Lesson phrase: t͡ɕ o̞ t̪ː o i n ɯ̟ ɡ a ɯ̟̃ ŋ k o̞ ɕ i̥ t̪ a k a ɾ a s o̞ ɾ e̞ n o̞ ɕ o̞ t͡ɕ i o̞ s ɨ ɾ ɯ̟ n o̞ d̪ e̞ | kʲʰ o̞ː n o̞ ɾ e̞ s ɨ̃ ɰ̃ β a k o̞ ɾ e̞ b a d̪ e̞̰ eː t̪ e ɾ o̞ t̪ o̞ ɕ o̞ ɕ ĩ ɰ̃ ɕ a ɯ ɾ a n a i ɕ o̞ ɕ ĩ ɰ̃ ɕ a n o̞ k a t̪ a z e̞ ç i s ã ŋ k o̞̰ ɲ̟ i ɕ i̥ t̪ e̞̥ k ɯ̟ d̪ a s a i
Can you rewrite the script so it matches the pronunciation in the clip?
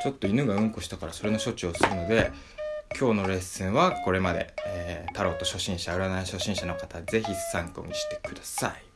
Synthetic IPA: t͡ɕ o̞ t̪ː o i n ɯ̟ ɡ a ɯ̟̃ ŋ k o̞ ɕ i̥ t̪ a k a ɾ a s o̞ ɾ e̞ n o̞ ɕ o̞ t͡ɕ i o̞ s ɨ ɾ ɯ̟ n o̞ d̪ e̞ | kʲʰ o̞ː n o̞ ɾ e̞ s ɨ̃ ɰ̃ β a k o̞ ɾ e̞ m a d̪ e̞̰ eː t̪ a ɾ o̞ t̪ o̞ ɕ o̞ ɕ ĩ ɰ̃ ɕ a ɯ ɾ a n a i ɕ o̞ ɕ ĩ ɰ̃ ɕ a n o̞ k a t̪ a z e̞ ç i s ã ŋ k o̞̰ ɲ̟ i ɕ i̥ t̪ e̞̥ k ɯ̟ d̪ a s a i